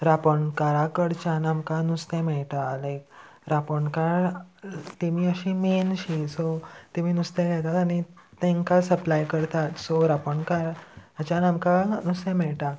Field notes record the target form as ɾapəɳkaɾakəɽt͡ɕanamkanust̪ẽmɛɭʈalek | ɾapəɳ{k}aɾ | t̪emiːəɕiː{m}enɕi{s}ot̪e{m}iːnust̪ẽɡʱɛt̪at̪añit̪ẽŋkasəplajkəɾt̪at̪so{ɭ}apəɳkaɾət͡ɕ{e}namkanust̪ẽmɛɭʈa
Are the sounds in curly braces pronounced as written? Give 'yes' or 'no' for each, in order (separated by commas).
yes, yes, yes, yes, no, no